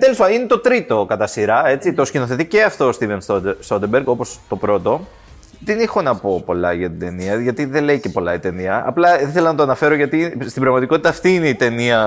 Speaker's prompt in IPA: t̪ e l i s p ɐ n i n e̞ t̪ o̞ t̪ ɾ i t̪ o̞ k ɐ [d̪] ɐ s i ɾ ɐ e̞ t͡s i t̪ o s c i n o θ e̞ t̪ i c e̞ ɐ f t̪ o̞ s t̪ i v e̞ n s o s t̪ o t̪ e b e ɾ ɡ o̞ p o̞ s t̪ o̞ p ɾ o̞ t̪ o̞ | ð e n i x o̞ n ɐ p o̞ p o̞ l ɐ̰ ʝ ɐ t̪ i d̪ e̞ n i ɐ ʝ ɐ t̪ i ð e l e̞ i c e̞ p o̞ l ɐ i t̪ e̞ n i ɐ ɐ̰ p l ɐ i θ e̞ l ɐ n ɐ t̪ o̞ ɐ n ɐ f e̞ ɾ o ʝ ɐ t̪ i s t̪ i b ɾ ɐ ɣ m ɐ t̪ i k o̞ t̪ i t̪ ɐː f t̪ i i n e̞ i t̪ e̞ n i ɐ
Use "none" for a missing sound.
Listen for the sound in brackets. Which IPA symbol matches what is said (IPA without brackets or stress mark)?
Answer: t̪